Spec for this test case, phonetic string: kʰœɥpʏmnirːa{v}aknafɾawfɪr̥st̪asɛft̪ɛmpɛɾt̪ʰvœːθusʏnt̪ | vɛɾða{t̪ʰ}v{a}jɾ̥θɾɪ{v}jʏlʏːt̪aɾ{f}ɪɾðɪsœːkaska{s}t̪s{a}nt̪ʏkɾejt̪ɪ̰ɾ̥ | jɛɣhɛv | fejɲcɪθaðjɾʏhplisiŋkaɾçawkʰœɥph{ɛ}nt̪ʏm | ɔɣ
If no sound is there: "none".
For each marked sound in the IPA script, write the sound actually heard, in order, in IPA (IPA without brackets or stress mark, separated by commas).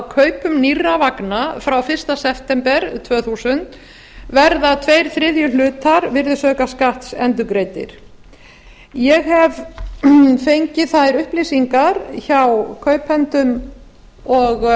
v, t̪ʰ, e, ð, v, h, ɛ, ɛ